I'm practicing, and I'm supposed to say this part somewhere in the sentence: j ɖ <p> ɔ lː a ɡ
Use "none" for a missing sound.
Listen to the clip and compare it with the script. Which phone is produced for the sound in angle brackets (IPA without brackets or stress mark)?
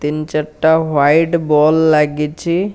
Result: b